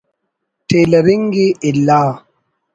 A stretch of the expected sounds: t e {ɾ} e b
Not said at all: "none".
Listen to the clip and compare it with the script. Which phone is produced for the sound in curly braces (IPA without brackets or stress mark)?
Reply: l